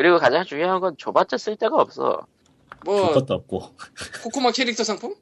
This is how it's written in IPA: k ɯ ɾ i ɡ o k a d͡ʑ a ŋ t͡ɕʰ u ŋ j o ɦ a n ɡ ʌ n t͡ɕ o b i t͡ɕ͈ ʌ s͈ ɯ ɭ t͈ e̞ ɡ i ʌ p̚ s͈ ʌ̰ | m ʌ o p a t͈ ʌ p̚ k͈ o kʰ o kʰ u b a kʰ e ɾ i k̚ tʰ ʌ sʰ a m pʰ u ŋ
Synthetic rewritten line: k ɯ ɾ i ɡ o k a d͡ʑ a ŋ t͡ɕ u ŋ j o ɦ a n ɡ ʌ n t͡ɕ o b a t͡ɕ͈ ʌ s͈ ɯ ɭ t͈ e̞ ɡ a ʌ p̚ s͈ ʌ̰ | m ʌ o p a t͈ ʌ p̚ k͈ o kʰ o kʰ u m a kʰ e ɾ i k̚ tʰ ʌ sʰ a ŋ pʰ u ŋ